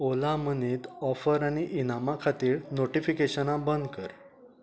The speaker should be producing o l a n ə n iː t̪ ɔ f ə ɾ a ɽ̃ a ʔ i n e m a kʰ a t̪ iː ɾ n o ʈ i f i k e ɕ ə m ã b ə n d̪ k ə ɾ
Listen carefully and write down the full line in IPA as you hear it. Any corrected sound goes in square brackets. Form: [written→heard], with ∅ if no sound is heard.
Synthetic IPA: o l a [n→m] ə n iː t̪ ɔ f ə ɾ a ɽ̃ [a→i] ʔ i n [e→a] m a kʰ a t̪ iː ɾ n o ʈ i f i k e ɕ ə [m→n] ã b ə n d̪ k ə ɾ